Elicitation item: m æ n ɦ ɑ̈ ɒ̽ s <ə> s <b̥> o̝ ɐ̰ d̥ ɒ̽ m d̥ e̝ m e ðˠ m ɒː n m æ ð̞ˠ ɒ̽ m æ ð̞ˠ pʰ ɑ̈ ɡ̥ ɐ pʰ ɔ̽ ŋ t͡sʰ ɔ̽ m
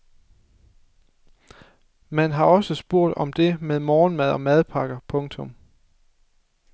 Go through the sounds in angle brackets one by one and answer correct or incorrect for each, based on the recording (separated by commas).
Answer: correct, correct